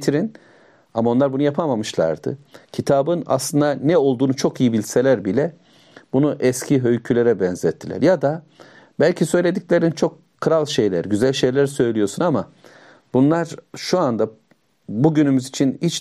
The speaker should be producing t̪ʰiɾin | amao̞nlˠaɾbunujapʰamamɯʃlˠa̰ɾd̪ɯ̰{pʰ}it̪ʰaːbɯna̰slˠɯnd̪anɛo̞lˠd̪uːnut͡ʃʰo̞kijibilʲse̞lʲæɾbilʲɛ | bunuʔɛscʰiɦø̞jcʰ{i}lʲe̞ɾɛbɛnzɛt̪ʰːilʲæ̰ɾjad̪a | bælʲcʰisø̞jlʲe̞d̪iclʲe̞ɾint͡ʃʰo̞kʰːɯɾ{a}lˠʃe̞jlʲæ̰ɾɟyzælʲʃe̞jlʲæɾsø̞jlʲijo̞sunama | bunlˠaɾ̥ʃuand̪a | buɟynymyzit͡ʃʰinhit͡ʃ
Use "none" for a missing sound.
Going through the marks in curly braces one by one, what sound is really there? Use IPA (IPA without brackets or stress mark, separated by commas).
cʰ, y, a